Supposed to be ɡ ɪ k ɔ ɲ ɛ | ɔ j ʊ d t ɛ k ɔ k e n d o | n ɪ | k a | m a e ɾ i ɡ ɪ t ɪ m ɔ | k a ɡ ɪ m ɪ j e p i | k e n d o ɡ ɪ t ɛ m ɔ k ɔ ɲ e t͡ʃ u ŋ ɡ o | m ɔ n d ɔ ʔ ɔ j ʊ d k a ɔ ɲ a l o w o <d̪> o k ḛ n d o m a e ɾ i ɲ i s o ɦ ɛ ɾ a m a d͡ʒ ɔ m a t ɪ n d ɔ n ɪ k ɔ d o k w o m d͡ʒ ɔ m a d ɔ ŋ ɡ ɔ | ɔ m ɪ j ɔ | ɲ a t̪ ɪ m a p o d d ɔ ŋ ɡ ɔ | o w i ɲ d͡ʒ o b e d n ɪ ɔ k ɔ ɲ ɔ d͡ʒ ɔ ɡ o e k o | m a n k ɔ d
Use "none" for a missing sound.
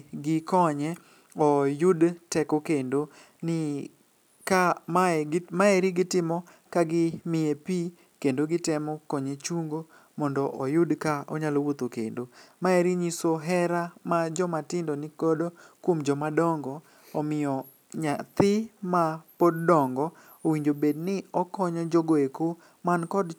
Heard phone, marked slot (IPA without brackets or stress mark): t̪